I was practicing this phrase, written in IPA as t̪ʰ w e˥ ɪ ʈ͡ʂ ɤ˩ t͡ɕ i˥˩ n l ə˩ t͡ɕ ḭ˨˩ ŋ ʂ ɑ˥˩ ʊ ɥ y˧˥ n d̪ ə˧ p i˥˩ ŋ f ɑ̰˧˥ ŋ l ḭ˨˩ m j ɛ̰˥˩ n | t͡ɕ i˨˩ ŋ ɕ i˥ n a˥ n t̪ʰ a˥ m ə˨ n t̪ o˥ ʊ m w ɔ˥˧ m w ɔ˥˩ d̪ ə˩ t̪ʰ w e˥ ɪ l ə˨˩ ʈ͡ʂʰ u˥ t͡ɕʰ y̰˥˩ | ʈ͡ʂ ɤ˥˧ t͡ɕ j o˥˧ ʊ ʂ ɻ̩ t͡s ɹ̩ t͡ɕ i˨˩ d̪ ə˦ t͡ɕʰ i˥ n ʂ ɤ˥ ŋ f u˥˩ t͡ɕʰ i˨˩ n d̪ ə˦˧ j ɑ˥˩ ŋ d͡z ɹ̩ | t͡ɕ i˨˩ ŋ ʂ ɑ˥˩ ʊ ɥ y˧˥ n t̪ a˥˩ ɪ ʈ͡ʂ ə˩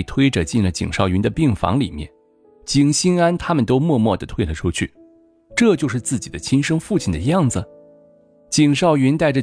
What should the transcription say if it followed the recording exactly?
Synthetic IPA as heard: t̪ʰ w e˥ ɪ ʈ͡ʂ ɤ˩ t͡ɕ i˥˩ n l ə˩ t͡ɕ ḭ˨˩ ŋ ʂ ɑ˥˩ ʊ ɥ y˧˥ n d̪ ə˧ p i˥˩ ŋ f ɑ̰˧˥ ŋ l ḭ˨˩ m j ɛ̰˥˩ n | t͡ɕ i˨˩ ŋ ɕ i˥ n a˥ n t̪ʰ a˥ m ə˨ n t̪ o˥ ʊ m w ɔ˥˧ m w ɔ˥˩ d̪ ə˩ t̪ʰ w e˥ ɪ l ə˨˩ ʈ͡ʂʰ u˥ t͡ɕʰ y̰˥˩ | ʈ͡ʂ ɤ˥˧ t͡ɕ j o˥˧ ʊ ʂ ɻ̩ t͡s ɹ̩ t͡ɕ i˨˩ d̪ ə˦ t͡ɕʰ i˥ n ʂ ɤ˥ ŋ f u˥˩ t͡ɕʰ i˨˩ n d̪ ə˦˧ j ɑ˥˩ ŋ d͡z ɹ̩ | t͡ɕ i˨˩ ŋ ʂ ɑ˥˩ ʊ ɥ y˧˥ n t̪ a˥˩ ɪ ʈ͡ʂ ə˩